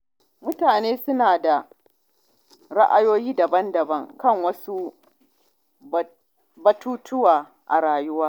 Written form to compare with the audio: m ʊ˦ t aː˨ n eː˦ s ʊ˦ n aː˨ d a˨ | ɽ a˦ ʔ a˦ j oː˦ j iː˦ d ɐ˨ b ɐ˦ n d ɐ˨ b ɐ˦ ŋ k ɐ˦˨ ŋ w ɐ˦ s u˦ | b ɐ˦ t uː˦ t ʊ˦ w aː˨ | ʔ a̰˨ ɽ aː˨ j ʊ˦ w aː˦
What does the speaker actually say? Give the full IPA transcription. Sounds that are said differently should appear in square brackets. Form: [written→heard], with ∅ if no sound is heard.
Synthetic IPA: m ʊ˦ t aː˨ n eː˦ s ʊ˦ n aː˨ d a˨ | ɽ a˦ ʔ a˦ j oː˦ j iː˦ d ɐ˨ b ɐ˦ n d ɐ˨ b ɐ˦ ŋ k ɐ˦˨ ŋ w ɐ˦ s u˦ | b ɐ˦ t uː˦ t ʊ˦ w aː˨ | ʔ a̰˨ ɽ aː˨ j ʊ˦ w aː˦